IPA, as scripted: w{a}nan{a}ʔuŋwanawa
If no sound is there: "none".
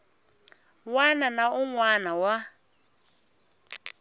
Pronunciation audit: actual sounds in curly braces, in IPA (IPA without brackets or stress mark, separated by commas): a, a